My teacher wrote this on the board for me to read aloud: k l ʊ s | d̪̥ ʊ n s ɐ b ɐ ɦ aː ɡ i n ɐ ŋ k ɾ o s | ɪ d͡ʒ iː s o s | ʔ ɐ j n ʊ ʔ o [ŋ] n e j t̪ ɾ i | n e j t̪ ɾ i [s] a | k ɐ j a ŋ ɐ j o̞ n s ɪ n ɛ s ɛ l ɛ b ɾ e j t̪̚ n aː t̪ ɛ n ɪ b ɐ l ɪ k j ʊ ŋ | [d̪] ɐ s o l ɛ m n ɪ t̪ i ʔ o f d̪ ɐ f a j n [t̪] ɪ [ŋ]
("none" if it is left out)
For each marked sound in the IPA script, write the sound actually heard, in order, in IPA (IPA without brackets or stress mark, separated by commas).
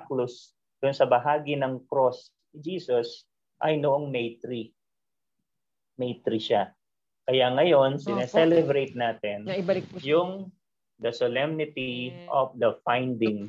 ŋ, ʃ, d̪, d̪, ŋ